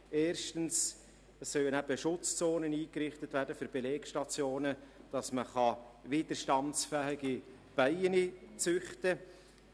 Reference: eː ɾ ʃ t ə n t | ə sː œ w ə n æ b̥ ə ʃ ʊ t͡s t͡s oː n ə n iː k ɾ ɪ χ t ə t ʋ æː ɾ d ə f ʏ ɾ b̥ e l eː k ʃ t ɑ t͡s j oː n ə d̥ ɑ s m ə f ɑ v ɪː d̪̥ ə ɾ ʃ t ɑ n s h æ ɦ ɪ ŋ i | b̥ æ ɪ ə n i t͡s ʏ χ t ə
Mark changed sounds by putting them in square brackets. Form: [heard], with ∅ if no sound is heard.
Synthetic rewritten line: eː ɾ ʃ t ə n [s] | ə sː œ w ə n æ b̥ ə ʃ ʊ t͡s t͡s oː n ə n iː k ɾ ɪ χ t ə t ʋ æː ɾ d ə f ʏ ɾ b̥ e l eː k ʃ t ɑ t͡s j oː n ə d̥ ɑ s m ə [χ] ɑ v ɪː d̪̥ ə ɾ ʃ t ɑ n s [f] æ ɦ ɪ [ɡ] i | b̥ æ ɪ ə n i t͡s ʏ χ t ə